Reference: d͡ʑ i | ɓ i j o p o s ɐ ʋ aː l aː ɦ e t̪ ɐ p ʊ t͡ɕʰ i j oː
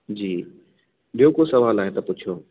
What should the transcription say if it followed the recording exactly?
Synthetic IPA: d͡ʑ iː | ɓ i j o k o s ɐ ʋ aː l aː ɦ e t̪ ɐ p ʊ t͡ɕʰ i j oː